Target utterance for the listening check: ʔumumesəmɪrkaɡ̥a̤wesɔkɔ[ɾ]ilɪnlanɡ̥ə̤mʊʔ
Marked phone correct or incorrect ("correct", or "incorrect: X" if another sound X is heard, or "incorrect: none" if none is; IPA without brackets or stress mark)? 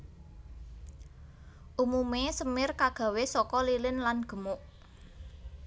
incorrect: l